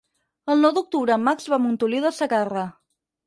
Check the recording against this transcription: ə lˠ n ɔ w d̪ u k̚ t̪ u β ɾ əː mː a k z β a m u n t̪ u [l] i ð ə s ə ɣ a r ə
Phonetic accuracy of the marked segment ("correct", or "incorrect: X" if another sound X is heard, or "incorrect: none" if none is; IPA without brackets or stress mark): correct